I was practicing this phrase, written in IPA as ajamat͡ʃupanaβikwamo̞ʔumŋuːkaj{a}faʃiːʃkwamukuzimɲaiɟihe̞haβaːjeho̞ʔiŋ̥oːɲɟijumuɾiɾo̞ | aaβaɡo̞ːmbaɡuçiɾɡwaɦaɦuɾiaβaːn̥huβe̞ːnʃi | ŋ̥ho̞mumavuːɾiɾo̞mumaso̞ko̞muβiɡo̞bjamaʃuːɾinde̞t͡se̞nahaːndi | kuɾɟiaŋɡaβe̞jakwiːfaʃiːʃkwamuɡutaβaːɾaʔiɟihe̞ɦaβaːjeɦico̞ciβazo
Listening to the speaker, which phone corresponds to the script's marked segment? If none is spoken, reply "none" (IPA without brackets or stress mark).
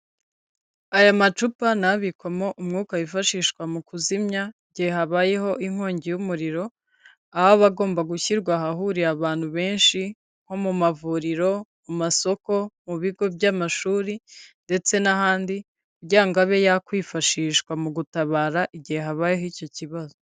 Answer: i